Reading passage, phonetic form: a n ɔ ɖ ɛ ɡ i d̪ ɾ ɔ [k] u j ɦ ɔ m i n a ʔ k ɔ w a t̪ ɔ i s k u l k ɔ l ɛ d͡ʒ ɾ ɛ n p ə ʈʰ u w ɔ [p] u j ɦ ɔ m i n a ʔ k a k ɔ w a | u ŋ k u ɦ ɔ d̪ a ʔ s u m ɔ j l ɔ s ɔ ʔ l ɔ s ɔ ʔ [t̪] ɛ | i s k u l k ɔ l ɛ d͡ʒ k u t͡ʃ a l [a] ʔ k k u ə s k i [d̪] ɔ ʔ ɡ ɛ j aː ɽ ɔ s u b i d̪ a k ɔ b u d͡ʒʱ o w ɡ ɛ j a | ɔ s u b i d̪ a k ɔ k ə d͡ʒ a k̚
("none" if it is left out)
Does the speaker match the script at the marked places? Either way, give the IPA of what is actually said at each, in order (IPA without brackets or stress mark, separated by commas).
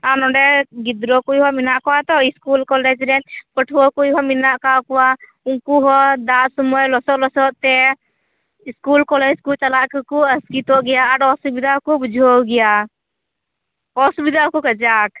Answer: k, k, t̪, a, t̪